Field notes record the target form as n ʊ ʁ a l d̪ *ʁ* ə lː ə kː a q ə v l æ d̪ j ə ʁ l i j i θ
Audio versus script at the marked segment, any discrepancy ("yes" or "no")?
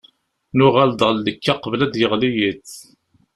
no